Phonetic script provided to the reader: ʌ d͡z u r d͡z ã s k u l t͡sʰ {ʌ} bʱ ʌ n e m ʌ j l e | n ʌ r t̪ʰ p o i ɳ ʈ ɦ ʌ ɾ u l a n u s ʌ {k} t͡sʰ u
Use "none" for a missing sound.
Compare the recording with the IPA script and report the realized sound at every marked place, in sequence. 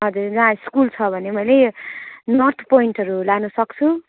ʌ, k

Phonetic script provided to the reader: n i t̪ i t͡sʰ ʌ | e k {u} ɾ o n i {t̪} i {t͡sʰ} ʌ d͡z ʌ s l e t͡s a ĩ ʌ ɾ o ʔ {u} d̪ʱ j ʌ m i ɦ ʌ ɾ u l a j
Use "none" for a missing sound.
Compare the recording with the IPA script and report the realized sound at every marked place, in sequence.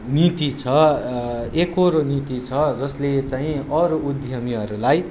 o, t̪, t͡sʰ, u

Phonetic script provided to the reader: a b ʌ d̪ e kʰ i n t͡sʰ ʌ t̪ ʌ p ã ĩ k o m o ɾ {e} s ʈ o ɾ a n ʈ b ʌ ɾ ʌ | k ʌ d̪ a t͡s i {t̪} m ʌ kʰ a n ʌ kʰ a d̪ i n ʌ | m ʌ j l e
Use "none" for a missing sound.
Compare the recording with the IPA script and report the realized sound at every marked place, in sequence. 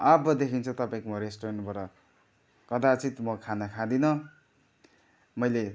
e, t̪

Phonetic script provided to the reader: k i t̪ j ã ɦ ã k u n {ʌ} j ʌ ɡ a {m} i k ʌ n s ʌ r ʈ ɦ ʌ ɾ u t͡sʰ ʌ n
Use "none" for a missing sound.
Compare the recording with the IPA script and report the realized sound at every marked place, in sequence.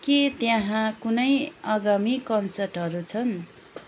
ʌ, m

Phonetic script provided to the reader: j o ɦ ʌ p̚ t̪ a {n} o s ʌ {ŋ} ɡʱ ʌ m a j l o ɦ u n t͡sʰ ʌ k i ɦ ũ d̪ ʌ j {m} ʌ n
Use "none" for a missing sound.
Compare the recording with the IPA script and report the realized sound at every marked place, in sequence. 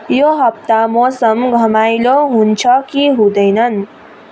m, m, n

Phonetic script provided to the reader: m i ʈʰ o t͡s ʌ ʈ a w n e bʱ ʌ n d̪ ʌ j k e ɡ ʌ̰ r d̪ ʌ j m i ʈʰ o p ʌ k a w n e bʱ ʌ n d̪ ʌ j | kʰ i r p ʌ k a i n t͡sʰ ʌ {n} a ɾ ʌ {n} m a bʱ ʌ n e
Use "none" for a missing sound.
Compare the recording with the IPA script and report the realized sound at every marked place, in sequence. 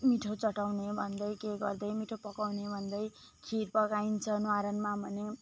n, n

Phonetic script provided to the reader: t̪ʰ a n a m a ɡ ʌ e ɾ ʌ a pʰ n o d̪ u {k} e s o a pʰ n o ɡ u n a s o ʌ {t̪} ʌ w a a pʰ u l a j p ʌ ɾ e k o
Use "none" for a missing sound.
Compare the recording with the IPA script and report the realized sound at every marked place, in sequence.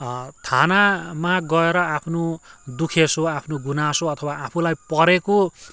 kʰ, t̪ʰ

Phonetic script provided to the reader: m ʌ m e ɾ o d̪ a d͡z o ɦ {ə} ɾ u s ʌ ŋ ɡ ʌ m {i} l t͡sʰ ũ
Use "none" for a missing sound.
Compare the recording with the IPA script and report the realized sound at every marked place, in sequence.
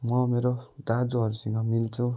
ʌ, i

